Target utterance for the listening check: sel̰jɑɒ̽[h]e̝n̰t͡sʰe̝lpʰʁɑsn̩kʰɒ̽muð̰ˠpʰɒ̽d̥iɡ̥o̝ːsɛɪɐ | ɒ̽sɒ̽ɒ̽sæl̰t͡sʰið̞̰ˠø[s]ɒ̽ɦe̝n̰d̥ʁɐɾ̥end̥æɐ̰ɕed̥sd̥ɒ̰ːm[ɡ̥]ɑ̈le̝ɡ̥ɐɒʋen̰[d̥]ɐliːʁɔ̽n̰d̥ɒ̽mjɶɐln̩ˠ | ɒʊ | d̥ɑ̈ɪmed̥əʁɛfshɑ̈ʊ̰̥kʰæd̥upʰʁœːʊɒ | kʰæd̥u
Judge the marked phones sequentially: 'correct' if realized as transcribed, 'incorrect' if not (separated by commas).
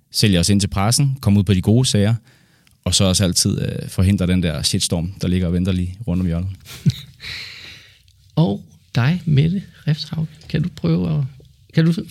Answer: incorrect, incorrect, incorrect, correct